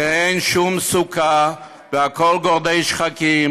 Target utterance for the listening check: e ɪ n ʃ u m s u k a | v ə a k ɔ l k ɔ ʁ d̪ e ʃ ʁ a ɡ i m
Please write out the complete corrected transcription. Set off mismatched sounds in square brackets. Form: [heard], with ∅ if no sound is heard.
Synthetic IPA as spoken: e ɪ n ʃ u m s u k a | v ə a k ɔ l [ɡ] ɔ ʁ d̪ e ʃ [χ] a [k] i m